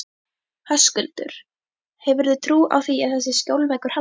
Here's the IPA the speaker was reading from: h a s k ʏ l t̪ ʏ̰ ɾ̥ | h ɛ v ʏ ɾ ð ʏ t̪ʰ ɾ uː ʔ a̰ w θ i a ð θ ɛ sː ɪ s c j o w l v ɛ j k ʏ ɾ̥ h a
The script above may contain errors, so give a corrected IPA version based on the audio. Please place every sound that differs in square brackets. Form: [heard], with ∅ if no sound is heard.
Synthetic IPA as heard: h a s k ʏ l t̪ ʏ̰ ɾ̥ | h ɛ v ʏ ɾ ð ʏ t̪ʰ ɾ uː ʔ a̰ w θ i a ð θ ɛ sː ɪ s c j o w l v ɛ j k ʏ ɾ̥ h a